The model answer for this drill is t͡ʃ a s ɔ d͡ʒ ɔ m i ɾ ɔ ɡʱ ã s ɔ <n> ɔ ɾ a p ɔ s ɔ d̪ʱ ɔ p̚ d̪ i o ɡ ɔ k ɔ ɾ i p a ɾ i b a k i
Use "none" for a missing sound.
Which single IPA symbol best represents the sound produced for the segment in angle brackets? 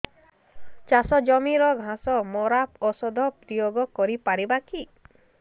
m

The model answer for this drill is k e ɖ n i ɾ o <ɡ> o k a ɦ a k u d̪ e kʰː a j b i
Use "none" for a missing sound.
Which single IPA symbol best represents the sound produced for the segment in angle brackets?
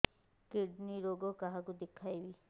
ɡ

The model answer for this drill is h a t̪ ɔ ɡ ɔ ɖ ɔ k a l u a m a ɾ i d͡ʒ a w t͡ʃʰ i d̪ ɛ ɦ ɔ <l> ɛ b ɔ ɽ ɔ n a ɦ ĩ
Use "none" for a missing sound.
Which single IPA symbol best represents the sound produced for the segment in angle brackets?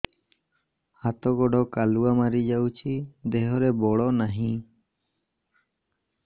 ɾ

